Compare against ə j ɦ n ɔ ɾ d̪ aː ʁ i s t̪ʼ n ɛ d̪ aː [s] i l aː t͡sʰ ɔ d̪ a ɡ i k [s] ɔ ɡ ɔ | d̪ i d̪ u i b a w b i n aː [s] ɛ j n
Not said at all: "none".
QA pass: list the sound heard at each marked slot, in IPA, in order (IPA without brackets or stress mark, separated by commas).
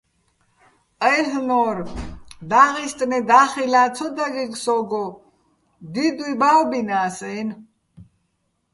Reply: χ, s, s